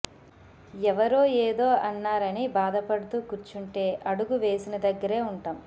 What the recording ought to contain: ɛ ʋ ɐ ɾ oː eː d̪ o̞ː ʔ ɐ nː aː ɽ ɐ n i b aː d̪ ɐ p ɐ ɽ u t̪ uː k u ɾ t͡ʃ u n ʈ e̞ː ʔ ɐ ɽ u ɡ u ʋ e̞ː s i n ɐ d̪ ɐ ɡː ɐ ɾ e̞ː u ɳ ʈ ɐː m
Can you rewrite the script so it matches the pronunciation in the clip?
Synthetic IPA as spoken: ɛ ʋ ɐ ɾ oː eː d̪ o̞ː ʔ ɐ nː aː ɾ ɐ n i b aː d̪ ɐ p ɐ ɽ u t̪ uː k u ɾ t͡ʃ u ɳ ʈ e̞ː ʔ ɐ ɽ u ɡ u ʋ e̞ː s i n ɐ d̪ ɐ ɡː ɐ ɾ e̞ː u ɳ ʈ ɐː m